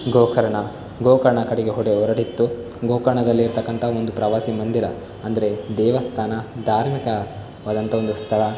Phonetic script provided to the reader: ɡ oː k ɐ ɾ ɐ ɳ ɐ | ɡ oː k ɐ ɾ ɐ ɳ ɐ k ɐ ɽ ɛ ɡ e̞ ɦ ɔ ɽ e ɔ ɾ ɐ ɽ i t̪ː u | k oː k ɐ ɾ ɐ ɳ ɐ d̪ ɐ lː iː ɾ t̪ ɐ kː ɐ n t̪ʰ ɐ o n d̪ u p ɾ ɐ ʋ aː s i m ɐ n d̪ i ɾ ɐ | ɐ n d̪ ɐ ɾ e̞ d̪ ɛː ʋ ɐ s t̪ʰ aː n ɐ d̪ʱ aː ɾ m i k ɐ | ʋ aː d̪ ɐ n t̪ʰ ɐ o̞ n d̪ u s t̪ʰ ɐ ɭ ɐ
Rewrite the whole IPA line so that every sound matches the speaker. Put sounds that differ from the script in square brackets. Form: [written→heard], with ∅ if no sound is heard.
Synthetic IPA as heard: ɡ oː k ɐ ɾ ɐ ɳ ɐ | ɡ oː k ɐ ɾ ɐ ɳ ɐ k ɐ ɽ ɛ ɡ e̞ ɦ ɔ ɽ e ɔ ɾ ɐ ɽ i t̪ː u | [k→ɡ] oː k ɐ ɾ ɐ ɳ ɐ d̪ ɐ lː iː ɾ t̪ ɐ kː ɐ n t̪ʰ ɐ o n d̪ u p ɾ ɐ ʋ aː s i m ɐ n d̪ i ɾ ɐ | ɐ n d̪ ɐ ɾ e̞ d̪ ɛː ʋ ɐ s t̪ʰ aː n ɐ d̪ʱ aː ɾ m i k ɐ | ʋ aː d̪ ɐ n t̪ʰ ɐ o̞ n d̪ u s t̪ʰ ɐ ɭ ɐ